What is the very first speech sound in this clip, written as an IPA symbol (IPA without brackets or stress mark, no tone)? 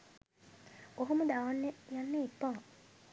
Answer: o